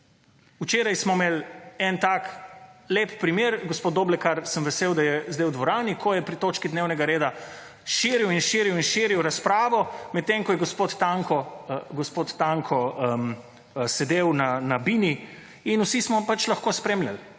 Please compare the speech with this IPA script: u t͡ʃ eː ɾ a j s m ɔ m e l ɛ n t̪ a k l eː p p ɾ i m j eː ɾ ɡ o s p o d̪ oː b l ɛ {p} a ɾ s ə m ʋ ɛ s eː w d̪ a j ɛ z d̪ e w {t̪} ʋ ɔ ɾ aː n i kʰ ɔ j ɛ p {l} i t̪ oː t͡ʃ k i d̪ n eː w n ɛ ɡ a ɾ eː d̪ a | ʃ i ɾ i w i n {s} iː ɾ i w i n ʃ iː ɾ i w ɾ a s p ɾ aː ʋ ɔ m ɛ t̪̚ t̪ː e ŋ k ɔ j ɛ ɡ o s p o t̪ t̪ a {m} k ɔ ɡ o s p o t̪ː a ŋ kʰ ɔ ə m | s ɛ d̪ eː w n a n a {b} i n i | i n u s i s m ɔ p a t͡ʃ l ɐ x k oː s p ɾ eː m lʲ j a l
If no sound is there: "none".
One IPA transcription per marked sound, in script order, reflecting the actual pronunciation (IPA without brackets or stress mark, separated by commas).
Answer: k, d̪, ɾ, ʃ, ŋ, b